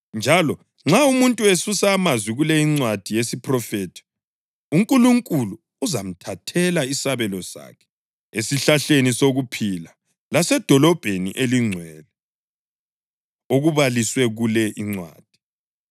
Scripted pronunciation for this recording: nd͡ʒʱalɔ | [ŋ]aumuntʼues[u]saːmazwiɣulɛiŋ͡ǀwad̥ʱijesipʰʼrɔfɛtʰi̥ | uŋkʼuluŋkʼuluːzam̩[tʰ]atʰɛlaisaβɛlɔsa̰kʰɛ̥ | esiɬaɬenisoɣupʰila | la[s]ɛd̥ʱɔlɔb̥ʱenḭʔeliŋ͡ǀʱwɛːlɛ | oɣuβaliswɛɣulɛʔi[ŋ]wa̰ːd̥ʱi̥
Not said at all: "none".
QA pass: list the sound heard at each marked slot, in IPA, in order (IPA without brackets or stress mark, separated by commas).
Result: ŋ͡ǁ, u, tʰ, s, ŋ͡ǀ